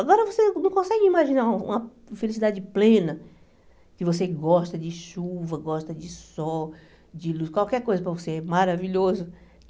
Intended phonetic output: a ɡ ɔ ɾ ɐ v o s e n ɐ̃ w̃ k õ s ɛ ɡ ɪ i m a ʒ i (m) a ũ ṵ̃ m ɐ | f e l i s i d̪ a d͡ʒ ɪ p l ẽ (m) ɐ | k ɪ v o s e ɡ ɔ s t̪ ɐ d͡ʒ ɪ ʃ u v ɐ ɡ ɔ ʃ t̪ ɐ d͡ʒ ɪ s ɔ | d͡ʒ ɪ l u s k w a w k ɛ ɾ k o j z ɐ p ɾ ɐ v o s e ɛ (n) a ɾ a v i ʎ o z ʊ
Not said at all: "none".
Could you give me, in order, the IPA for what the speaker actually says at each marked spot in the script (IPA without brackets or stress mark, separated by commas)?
n, n, m